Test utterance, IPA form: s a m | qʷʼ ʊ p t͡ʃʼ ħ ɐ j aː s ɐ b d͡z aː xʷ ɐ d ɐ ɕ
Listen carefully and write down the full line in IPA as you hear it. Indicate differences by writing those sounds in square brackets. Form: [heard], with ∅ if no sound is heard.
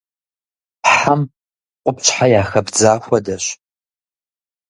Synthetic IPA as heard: [ħ] a m | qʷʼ ʊ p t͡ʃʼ ħ [a] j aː [x] ɐ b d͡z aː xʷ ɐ d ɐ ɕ